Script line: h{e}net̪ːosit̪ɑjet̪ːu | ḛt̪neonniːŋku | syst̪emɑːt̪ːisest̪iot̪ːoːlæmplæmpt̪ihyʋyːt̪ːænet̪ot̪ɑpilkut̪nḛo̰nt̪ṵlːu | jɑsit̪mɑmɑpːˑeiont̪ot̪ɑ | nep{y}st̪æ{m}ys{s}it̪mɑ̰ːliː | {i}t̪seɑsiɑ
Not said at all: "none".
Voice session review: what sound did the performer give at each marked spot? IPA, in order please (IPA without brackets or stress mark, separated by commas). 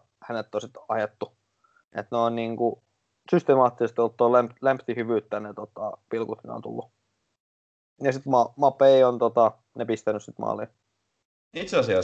æ, i, n, s, i